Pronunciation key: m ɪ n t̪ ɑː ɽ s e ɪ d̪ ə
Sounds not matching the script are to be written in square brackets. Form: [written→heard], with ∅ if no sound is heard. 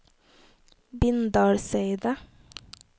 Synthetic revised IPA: [m→b] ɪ n [t̪→d̪] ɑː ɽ s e ɪ d̪ ə